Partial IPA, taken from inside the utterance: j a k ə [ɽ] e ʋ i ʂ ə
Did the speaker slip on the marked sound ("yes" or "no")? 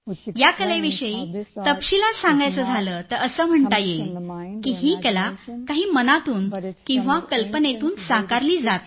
yes